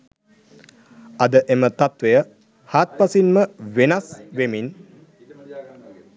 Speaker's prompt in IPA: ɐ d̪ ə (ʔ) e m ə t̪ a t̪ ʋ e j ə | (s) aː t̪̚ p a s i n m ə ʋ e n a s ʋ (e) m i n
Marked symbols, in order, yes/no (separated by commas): yes, no, yes